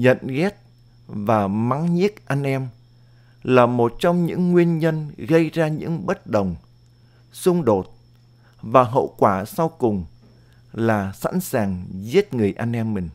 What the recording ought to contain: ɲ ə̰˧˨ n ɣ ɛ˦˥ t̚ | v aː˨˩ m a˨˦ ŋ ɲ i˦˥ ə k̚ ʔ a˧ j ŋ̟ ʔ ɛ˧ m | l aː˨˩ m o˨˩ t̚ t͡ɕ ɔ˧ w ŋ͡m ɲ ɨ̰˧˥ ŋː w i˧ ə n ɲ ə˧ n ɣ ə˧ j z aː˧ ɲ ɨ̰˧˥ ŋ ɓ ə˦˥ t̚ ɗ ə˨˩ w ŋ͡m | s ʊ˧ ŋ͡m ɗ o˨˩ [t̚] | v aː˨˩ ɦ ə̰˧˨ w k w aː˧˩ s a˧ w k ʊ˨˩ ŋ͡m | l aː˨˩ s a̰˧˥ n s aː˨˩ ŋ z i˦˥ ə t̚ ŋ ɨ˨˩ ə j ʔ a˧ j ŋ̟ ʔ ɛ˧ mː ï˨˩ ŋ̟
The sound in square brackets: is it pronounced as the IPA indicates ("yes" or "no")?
yes